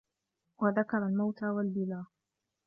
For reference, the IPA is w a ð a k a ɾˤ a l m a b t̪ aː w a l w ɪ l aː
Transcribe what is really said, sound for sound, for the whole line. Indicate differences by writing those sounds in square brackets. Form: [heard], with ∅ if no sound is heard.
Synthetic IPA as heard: w a ð a k [ɑ] ɾˤ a l m a [w] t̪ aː w a l [b] ɪ l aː

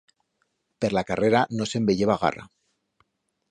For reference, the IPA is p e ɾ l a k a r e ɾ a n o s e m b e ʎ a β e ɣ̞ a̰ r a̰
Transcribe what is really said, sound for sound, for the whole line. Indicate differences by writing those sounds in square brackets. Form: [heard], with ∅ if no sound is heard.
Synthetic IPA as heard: p e ɾ l a k a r e ɾ a n o s e m b e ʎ [e] β [a] ɣ̞ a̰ r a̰

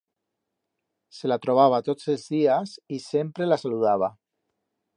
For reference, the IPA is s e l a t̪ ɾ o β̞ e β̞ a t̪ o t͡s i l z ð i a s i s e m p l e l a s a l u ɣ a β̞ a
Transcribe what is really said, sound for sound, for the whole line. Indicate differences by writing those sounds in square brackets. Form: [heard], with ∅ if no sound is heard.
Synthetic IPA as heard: s e l a t̪ ɾ o β̞ [a] β̞ a t̪ o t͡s [e] l z ð i a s i s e m p [ɾ] e l a s a l u [ð] a β̞ a

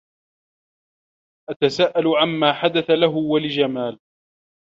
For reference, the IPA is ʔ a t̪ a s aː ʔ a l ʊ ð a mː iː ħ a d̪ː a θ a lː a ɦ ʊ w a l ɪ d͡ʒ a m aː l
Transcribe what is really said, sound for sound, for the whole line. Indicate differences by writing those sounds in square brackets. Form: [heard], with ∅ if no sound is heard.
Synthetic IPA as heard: ʔ a t̪ a s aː ʔ a l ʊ [ʕ] a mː [aː] ħ a [d̪] a θ a [l] a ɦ ʊ w a l ɪ d͡ʒ a m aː l

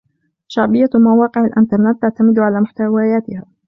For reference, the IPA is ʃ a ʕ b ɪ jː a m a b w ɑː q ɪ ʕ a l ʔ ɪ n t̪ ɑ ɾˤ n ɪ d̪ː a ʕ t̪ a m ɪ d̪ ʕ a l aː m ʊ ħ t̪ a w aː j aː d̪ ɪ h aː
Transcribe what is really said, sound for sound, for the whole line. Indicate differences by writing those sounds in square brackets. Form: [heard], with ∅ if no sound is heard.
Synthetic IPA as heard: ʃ a ʕ b ɪ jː a m a [∅] w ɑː q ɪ ʕ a l ʔ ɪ n t̪ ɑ ɾˤ n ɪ [t̪ː] a ʕ t̪ a m ɪ d̪ ʕ a l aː m ʊ ħ t̪ a w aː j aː [t̪] ɪ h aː

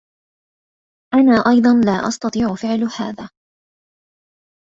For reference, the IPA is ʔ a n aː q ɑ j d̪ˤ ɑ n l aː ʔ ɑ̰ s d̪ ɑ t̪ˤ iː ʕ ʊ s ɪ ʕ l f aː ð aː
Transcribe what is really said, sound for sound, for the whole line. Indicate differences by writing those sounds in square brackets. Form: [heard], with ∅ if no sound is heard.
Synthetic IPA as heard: ʔ a n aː [ʔ] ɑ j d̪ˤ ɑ n l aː ʔ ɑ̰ s [t̪] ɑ t̪ˤ iː ʕ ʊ [f] ɪ ʕ l [h] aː ð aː

